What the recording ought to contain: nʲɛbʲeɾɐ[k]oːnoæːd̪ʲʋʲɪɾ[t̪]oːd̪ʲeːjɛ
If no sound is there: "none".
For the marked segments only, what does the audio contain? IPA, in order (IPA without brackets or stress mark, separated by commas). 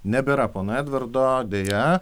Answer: p, d̪